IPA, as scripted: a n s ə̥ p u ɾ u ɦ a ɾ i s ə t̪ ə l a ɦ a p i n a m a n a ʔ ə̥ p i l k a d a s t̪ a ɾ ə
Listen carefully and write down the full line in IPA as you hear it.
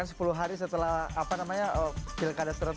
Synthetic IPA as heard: a n s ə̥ p u l u ɦ a ɾ i s ə t̪ ə l a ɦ a p a n a m a ɲ a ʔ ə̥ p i l k a d a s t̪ ə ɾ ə